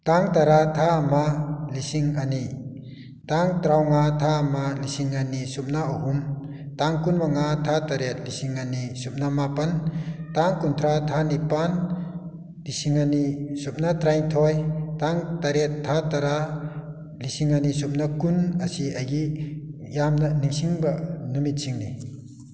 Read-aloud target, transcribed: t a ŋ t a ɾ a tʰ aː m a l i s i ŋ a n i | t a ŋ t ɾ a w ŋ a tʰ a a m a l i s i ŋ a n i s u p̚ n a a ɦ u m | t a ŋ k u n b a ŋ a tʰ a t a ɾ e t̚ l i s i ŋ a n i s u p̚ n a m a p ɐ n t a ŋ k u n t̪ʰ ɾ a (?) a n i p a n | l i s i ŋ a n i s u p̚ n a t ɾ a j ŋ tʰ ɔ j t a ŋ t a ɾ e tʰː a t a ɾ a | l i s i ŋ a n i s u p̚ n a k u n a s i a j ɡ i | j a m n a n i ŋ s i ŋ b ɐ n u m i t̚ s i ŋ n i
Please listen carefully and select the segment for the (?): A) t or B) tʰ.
B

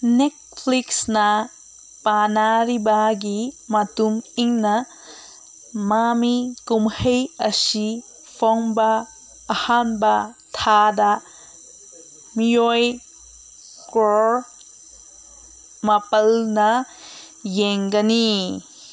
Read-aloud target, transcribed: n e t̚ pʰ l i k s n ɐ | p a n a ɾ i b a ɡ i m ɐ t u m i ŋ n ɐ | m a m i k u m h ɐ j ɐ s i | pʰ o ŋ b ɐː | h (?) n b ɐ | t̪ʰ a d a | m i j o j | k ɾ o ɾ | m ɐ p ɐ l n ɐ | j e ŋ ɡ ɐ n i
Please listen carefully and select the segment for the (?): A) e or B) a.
B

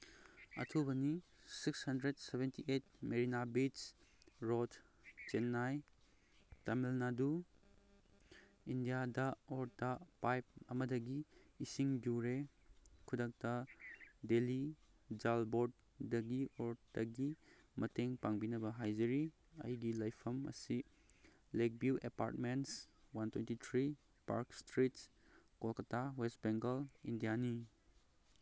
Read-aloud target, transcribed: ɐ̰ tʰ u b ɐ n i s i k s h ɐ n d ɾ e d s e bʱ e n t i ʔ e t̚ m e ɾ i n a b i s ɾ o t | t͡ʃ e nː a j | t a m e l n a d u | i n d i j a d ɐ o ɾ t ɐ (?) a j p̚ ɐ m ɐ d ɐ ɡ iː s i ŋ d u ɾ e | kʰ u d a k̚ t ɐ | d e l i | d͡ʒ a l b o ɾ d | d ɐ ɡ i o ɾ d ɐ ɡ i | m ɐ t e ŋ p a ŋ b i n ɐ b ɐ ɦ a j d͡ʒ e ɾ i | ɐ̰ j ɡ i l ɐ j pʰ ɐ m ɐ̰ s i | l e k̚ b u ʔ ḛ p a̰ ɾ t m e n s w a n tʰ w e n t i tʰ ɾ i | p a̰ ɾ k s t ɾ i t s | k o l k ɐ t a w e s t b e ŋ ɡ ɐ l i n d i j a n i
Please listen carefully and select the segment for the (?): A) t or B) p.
B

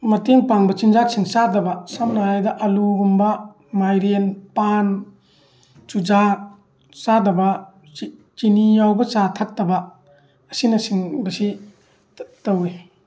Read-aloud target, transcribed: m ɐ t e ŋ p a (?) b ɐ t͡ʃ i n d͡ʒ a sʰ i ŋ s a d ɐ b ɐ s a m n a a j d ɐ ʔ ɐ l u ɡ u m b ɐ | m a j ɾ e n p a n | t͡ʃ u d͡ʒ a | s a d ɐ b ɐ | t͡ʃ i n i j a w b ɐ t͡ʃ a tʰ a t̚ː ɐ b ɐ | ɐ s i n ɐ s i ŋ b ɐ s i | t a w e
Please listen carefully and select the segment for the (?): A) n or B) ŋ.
B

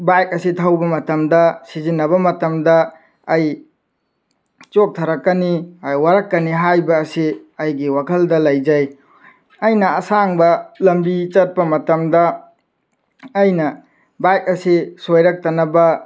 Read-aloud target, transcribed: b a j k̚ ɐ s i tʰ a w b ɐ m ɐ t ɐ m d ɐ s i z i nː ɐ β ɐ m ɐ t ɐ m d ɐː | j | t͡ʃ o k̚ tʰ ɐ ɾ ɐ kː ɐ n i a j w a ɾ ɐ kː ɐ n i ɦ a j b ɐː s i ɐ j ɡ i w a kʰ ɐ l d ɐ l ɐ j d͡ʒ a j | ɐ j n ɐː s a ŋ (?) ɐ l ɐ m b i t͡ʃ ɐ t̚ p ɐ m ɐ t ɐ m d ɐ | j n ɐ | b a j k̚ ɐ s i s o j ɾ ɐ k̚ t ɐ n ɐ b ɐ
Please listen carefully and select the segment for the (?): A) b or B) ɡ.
A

